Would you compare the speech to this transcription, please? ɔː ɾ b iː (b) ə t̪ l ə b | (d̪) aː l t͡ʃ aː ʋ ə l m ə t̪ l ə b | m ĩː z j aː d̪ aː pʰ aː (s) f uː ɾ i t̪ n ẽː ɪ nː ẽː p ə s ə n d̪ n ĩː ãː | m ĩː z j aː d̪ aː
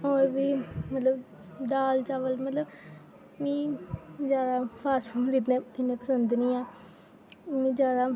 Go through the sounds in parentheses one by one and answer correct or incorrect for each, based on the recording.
incorrect: m, correct, correct

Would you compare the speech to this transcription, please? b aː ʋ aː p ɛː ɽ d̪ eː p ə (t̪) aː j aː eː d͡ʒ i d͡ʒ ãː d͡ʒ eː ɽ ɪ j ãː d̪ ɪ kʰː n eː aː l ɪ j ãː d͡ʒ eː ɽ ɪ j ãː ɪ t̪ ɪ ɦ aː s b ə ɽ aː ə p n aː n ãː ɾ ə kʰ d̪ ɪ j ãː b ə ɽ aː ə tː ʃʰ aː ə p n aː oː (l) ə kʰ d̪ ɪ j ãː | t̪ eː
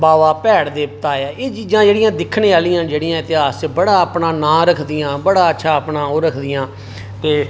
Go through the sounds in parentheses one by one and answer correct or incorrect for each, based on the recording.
correct, incorrect: ɾ

